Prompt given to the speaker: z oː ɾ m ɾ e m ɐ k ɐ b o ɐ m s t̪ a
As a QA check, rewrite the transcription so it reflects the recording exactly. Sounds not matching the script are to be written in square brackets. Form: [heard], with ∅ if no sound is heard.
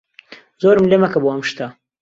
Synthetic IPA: z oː ɾ m [l] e m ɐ k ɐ b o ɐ m [ʃ] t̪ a